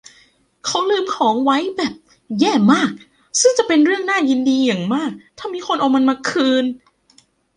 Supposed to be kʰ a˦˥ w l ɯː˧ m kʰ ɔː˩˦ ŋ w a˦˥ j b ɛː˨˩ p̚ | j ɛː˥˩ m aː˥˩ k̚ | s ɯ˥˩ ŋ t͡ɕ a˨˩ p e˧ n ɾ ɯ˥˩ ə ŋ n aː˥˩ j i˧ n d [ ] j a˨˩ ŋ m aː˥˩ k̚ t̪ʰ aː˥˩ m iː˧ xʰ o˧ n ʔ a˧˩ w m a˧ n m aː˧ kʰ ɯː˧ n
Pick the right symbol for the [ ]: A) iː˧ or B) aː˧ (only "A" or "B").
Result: A